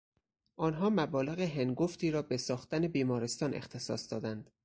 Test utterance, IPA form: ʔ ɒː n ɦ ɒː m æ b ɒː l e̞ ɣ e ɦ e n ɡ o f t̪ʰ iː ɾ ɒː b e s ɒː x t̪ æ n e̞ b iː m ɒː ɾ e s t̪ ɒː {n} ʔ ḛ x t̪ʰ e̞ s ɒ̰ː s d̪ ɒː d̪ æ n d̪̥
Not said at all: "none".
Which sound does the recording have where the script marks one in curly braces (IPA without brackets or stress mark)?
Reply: n